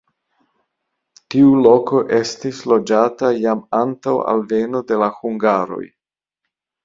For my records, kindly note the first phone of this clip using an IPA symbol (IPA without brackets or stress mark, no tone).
t